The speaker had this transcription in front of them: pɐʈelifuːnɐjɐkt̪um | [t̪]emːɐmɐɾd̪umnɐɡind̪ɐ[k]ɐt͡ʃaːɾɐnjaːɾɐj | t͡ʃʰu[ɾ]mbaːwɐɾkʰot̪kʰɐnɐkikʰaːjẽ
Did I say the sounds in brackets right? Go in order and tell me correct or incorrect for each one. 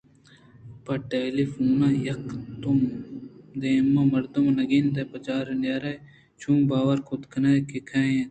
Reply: incorrect, incorrect, incorrect

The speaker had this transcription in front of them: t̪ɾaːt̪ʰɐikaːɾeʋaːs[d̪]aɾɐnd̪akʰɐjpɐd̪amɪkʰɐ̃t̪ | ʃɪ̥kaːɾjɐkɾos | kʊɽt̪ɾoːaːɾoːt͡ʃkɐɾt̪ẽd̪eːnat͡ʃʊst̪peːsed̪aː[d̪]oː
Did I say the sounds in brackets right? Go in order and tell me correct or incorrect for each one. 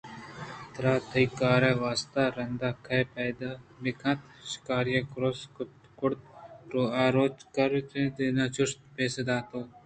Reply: incorrect, incorrect

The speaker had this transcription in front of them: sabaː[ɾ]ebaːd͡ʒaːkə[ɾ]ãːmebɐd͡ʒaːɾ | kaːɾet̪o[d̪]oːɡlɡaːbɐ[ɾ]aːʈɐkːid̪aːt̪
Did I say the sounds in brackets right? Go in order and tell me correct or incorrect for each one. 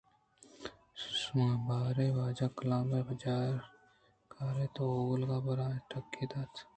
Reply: correct, incorrect, incorrect, correct

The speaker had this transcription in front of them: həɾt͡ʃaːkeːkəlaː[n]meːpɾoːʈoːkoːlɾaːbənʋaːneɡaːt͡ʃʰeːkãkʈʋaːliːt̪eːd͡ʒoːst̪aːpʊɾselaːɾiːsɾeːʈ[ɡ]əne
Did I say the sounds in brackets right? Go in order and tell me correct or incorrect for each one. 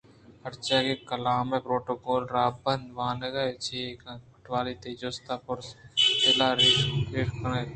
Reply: incorrect, incorrect

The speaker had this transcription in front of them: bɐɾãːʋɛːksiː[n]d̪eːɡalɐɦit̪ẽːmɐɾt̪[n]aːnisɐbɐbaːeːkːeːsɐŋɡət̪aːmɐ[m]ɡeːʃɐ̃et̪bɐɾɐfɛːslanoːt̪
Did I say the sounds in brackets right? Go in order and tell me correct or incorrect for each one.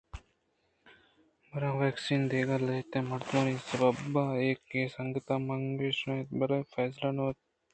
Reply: correct, incorrect, incorrect

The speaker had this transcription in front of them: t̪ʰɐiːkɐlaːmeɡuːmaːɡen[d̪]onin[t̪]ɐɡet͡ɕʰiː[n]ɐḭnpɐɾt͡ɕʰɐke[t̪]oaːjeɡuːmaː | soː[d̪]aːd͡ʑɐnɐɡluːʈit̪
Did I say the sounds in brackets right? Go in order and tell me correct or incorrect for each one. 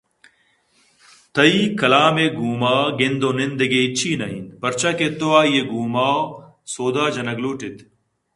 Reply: correct, incorrect, correct, correct, correct

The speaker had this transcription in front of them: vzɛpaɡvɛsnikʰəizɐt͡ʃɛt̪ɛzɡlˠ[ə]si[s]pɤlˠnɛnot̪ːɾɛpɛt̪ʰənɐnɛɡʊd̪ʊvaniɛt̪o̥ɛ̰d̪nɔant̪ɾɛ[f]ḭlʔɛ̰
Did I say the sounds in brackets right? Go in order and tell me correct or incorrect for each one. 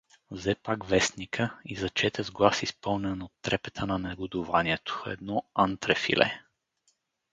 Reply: incorrect, correct, correct

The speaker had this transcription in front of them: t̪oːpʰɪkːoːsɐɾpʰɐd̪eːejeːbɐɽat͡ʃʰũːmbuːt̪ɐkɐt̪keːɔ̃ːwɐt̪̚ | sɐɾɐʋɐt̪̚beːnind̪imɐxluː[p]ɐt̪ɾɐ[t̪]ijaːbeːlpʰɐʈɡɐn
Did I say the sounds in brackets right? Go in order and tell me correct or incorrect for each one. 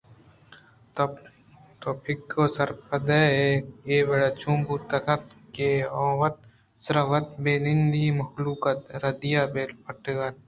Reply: incorrect, incorrect

